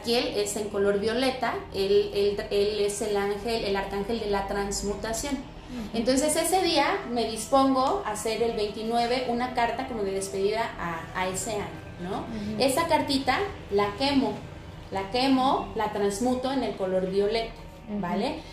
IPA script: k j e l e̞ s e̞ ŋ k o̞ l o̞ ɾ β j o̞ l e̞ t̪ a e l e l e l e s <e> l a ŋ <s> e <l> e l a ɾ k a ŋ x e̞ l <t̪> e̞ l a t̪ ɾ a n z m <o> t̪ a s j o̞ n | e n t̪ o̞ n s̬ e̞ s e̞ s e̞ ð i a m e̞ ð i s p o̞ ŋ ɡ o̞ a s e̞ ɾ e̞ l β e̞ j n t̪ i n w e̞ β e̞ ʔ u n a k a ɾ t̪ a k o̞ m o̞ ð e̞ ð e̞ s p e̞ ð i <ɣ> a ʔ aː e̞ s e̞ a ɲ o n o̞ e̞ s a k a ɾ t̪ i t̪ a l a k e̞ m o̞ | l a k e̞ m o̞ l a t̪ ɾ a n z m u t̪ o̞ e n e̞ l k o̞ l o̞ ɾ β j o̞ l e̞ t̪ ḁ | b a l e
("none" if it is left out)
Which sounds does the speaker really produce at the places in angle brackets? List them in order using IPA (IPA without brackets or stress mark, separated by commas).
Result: e, x, l, d̪, u, ð